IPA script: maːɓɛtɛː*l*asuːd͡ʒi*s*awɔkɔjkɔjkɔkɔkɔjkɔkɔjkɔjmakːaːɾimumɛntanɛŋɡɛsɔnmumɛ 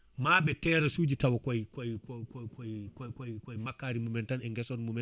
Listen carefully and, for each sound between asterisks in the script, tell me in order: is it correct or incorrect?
incorrect, incorrect

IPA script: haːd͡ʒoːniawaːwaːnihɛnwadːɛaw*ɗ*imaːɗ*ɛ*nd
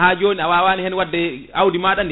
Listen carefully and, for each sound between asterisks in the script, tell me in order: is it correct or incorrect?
incorrect, incorrect

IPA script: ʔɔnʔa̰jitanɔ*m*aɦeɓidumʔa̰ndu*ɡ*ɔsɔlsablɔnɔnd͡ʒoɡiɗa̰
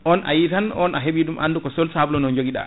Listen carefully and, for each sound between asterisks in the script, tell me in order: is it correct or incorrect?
incorrect, incorrect

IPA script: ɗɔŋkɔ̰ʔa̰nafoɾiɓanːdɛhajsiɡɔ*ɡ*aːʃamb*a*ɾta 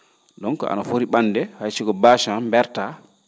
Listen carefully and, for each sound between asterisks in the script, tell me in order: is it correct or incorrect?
incorrect, incorrect

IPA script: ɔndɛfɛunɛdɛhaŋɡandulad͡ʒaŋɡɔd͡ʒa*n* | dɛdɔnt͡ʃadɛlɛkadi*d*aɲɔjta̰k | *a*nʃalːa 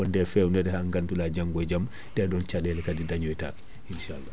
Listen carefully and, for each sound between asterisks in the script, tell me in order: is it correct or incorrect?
incorrect, correct, incorrect

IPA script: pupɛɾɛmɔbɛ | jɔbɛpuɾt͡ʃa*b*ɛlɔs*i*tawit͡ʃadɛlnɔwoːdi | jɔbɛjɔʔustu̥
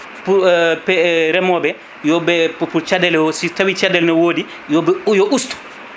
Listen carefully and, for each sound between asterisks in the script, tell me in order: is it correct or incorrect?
incorrect, correct

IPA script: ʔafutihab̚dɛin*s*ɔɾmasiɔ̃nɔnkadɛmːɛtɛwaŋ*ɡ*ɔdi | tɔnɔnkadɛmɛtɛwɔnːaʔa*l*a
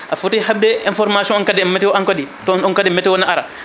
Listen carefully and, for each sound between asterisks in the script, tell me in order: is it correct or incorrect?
incorrect, incorrect, incorrect

